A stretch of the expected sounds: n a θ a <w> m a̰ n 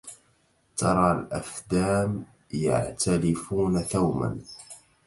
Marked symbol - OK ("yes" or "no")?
yes